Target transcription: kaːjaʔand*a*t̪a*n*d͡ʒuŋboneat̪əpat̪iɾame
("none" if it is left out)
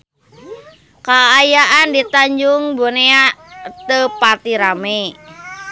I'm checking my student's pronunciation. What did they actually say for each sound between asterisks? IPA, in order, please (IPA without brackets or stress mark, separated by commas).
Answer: i, ɲ